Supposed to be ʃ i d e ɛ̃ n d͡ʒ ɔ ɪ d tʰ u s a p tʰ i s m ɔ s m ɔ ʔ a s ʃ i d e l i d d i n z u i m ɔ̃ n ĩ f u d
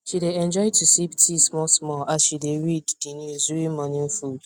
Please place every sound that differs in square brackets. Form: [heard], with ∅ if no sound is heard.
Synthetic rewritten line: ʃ i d e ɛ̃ n d͡ʒ ɔ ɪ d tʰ u s [i] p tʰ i s m ɔ s m ɔ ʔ a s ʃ i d e [ɹ] i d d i n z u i m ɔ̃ n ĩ f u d